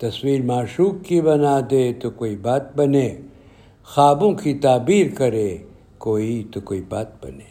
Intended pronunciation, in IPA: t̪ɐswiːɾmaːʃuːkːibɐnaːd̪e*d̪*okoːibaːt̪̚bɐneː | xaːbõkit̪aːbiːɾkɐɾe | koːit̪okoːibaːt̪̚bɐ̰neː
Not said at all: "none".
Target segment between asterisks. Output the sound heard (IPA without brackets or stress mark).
t̪